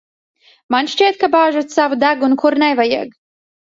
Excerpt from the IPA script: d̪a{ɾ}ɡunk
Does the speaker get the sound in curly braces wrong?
yes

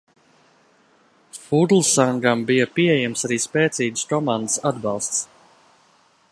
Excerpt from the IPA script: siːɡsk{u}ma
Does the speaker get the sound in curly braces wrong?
yes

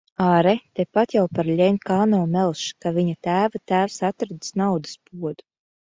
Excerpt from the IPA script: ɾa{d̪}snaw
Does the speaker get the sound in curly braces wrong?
no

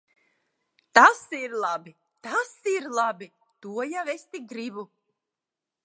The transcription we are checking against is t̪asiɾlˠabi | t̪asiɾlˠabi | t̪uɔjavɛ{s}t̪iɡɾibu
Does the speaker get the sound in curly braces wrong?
no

